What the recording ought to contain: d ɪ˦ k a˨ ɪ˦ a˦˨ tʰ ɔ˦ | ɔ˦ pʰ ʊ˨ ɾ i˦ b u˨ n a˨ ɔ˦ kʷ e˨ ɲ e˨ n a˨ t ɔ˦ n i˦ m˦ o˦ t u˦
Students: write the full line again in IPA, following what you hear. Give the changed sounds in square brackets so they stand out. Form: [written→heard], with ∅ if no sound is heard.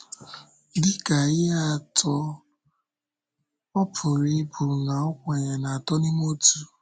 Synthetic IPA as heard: d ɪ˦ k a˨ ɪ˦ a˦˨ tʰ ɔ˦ | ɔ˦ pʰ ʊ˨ ɾ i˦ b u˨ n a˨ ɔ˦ kʷ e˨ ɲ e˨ n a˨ t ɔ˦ n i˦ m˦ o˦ t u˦